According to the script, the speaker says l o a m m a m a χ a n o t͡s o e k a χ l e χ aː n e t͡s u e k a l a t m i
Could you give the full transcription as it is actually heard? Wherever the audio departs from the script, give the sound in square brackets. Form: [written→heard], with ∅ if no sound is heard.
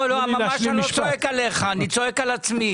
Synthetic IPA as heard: l o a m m a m a [χ→ʃ] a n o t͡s o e k a [χ→∅] l e χ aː n [e→i] t͡s [u→o] e k a l a [t→t͡s] m i